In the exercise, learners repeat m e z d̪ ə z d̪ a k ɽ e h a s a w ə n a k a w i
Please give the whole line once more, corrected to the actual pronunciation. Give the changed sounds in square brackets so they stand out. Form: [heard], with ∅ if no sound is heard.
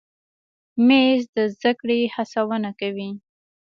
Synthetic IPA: m e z d̪ ə z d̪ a k ɽ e h a s a w ə n a k a w i